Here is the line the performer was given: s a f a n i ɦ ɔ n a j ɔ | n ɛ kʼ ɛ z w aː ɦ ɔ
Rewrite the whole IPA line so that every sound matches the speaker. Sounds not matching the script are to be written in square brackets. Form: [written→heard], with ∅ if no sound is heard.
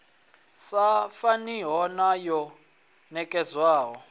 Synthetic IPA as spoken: s a f a n i ɦ ɔ n a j ɔ | n ɛ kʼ ɛ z w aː ɦ ɔ